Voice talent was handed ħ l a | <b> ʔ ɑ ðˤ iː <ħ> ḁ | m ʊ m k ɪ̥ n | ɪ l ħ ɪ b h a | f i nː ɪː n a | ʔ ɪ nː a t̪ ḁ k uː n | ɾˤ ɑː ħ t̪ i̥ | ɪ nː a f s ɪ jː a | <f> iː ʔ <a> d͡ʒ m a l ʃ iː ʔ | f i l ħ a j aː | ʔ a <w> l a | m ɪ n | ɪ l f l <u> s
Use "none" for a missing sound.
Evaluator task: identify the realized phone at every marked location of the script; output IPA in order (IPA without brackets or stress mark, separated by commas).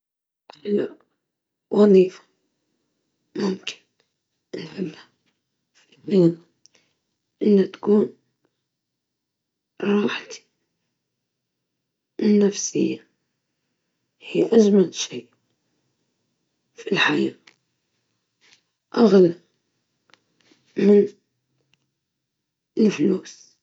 w, f, h, a, ɣ, uː